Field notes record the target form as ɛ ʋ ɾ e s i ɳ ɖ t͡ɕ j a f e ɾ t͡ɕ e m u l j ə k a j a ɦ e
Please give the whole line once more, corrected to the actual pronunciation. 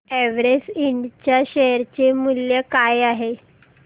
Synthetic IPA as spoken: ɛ ʋ ɾ e s i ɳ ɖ t͡ɕ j a ɕ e ɾ t͡ɕ e m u l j ə k a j a ɦ e

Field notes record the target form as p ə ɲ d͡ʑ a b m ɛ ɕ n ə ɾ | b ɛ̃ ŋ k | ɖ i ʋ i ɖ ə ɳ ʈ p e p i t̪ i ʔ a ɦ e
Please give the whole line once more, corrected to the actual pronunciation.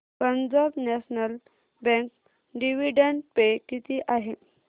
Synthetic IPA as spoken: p ə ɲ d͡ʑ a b n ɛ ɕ n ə l | b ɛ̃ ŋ k | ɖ i ʋ i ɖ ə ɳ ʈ p e k i t̪ i ʔ a ɦ e

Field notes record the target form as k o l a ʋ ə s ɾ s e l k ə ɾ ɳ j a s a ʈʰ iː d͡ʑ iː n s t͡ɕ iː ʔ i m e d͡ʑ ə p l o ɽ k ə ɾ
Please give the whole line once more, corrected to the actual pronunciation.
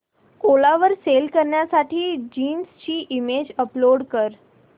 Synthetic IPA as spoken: k o l a ʋ ə ɾ s e l k ə ɾ ɳ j a s a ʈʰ iː d͡ʑ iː n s t͡ɕ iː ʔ i m e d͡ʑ ə p l o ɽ k ə ɾ

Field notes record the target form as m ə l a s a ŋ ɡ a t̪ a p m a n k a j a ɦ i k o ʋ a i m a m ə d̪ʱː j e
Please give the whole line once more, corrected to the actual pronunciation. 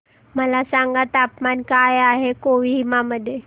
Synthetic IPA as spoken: m ə l a s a ŋ ɡ a t̪ a p m a n k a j a ɦ e k o ʋ i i m a m ə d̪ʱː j e

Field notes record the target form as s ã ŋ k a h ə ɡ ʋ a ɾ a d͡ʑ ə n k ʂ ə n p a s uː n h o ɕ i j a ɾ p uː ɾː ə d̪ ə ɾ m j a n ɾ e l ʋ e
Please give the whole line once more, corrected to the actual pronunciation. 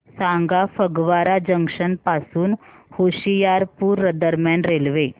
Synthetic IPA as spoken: s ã ŋ ɡ a f ə ɡ ʋ a ɾ a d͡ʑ ə ŋ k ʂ ə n p a s uː n h o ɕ i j a ɾ p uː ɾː ə d̪ ə ɾ m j a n ɾ e l ʋ e

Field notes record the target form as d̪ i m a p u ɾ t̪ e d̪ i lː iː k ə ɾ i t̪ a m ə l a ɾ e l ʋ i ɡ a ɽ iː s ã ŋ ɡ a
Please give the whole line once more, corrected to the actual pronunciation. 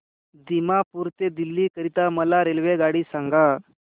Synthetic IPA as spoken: d̪ i m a p u ɾ t̪ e d̪ i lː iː k ə ɾ i t̪ a m ə l a ɾ e l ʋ e ɡ a ɽ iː s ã ŋ ɡ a

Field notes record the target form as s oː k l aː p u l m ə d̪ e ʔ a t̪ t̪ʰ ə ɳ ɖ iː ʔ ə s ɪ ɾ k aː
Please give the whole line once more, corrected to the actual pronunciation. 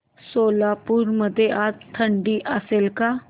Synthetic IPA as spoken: s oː l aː p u ɾ m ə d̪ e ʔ a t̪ t̪ʰ ə ɳ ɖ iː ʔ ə s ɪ l k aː

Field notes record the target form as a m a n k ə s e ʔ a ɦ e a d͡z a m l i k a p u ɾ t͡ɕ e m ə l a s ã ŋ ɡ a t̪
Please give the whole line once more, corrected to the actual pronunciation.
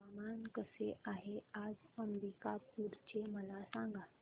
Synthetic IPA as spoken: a m a n k ə s e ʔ a ɦ e a d͡z ə m ɾ i k a p u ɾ t͡ɕ e m ə l a s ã ŋ ɡ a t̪

